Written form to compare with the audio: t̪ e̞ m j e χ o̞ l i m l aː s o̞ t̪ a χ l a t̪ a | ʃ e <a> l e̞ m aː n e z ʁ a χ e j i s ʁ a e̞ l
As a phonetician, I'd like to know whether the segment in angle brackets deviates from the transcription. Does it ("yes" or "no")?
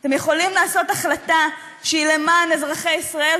yes